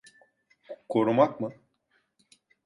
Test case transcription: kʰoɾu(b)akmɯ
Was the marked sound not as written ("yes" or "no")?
yes